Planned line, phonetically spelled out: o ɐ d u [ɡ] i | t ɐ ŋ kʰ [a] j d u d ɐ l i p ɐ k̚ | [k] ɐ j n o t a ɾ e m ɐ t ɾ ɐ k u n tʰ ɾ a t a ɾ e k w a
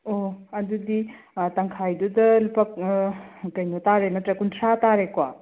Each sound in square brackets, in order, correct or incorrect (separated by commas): incorrect, correct, correct